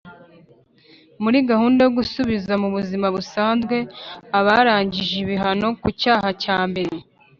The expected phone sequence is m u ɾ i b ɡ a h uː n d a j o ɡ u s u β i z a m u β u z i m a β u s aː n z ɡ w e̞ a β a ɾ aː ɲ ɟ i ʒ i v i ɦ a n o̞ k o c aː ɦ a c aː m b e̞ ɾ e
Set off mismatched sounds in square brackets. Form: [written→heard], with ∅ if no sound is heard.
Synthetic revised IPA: m u ɾ i [b→∅] ɡ a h uː n d a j o ɡ u s u β i z a m u β u z i m a β u s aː n z ɡ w e̞ a β a ɾ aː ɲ ɟ i ʒ i [v→β] i ɦ a n o̞ k [o→u] c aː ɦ a c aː m b e̞ ɾ e